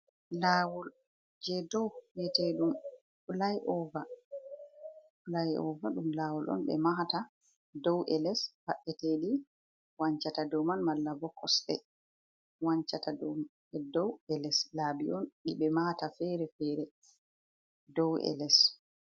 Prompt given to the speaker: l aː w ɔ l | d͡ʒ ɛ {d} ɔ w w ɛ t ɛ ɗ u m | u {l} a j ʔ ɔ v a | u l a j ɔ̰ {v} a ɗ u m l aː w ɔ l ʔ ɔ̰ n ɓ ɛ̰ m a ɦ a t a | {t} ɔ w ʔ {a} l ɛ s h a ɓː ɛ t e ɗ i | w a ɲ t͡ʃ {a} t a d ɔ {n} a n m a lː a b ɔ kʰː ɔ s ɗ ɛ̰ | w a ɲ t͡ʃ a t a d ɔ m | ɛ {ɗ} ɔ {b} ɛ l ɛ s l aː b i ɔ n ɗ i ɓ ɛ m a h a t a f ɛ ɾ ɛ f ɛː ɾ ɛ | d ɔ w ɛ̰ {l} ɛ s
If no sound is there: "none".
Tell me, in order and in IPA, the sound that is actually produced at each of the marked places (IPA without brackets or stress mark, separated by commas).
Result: d, l, v, d, ɛ, a, m, d, w, l